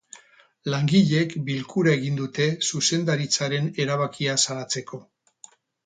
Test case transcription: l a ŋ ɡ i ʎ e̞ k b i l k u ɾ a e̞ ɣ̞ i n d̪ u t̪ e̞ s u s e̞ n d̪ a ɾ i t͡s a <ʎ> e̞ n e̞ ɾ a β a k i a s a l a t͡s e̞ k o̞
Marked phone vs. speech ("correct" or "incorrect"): incorrect